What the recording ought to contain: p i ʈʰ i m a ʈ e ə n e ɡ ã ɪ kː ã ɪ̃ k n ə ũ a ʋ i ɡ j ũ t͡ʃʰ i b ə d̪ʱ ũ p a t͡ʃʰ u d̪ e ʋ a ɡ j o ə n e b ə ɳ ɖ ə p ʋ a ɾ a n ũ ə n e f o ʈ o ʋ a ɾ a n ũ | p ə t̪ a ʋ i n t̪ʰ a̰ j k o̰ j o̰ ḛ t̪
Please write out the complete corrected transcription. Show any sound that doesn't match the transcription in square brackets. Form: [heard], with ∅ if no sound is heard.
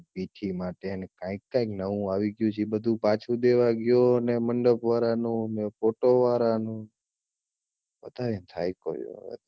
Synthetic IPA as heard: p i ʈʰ i m a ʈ e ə n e [k] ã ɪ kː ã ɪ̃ k n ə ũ a ʋ i ɡ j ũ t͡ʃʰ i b ə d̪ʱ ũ p a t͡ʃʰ u d̪ e ʋ a ɡ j o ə n e [m] ə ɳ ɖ ə p ʋ a ɾ a n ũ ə n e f o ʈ o ʋ a ɾ a n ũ | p ə t̪ a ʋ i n t̪ʰ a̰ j k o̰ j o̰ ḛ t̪